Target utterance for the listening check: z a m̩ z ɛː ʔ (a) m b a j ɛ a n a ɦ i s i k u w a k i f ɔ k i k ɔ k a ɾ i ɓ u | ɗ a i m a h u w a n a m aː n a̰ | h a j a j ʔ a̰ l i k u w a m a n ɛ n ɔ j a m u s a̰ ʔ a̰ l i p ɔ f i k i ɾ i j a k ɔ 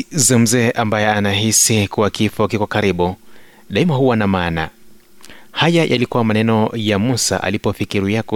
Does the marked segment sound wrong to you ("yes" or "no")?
no